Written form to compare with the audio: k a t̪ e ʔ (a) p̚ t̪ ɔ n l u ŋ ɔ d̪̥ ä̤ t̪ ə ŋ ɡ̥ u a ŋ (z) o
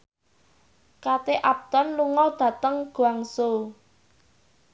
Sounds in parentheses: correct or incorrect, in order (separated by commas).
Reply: correct, incorrect